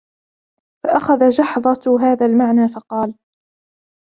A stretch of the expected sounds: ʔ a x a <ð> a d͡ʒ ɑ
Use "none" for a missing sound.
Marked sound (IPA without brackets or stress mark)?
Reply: ð